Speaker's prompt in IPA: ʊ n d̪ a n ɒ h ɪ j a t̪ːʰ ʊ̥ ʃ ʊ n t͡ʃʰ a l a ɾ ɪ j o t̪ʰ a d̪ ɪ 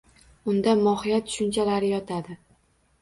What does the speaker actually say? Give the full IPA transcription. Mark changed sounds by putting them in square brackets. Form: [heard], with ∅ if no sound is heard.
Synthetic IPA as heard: ʊ n d̪ a [m] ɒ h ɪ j a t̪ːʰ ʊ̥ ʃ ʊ n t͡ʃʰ a l a ɾ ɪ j [ɒ] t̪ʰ a d̪ ɪ